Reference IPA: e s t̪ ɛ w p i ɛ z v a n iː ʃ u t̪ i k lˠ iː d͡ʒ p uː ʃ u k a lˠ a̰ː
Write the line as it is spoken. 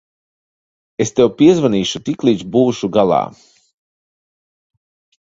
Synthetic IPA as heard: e s t̪ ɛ w p i ɛ z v a n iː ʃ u t̪ i k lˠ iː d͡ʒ b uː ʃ u ɡ a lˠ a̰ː

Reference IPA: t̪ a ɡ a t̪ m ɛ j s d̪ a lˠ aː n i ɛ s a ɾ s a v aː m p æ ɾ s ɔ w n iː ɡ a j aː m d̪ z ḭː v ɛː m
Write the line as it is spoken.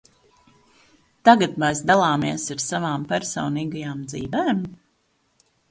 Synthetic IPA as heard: t̪ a ɡ a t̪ m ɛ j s d̪ a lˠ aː m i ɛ s a ɾ s a v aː m p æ ɾ s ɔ w n iː ɡ a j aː m d̪ z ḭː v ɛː m

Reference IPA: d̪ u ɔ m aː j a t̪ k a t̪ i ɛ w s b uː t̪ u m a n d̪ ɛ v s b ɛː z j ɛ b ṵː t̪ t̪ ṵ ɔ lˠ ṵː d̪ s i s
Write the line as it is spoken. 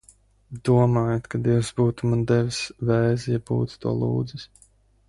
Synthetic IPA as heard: d̪ u ɔ m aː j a t̪ k a d̪ i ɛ w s b uː t̪ u m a n d̪ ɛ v s v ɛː z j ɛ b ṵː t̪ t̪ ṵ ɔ lˠ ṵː d̪ z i s

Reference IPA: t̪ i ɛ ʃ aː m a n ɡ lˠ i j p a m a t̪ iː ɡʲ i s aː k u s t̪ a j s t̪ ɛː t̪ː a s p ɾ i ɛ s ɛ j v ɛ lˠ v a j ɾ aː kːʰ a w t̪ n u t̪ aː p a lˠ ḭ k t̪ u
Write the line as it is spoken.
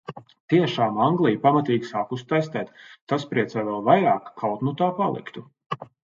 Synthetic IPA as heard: t̪ i ɛ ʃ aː m a ŋ ɡ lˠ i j p a m a t̪ iː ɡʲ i s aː k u s t̪ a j s t̪ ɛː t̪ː a s p ɾ i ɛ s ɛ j v ɛ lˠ v a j ɾ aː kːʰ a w t̪ n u t̪ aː p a lˠ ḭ k t̪ u

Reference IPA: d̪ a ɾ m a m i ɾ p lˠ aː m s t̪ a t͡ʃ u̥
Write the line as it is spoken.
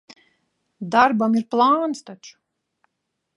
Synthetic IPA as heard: d̪ a ɾ b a m i ɾ p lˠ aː n s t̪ a t͡ʃ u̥

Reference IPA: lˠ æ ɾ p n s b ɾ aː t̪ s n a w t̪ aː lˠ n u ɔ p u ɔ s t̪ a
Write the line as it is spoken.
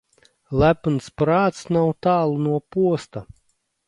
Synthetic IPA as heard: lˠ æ p n s p ɾ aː t̪ s n a w t̪ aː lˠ n u ɔ p u ɔ s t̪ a

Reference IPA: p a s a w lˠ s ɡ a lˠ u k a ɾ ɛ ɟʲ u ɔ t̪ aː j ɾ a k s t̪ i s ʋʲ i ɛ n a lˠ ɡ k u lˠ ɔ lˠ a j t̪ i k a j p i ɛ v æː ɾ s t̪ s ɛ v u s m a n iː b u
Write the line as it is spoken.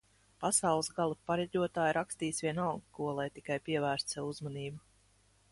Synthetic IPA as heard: p a s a w lˠ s ɡ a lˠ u p a ɾ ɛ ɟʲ u ɔ t̪ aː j ɾ a k s t̪ iː s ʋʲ i ɛ n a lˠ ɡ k u ɔ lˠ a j t̪ i k a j p i ɛ v æː ɾ s t̪ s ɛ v u z m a n iː b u

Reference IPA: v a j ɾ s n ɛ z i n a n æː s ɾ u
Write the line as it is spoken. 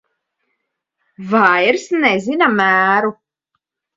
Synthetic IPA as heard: v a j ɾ s n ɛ z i n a m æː ɾ u

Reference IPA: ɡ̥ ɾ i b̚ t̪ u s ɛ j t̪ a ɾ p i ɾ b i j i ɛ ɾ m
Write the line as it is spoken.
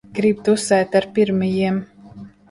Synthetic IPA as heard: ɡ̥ ɾ i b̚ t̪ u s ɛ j t̪ a ɾ p i ɾ m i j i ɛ m

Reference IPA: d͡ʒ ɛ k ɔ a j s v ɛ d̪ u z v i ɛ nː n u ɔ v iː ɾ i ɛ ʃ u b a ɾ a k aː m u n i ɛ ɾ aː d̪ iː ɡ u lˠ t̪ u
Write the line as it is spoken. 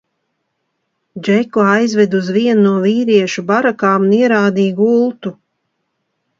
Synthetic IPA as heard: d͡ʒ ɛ k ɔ a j z v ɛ d̪ u z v i ɛ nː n u ɔ v iː ɾ i ɛ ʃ u b a ɾ a k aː m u n i ɛ ɾ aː d̪ iː ɡ u lˠ t̪ u

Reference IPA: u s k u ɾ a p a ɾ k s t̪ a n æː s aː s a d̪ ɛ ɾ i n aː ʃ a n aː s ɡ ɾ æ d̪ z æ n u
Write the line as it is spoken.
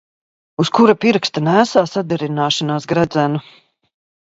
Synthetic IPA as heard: u s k u ɾ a p i ɾ k s t̪ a n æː s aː s a d̪ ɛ ɾ i n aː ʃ a n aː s ɡ ɾ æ d̪ z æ n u

